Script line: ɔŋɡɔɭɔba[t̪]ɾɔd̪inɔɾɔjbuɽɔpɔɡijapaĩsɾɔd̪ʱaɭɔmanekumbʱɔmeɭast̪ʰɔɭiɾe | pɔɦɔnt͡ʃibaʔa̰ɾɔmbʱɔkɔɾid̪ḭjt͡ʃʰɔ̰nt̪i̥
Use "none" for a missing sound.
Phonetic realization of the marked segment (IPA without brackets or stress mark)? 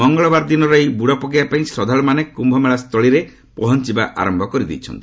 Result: none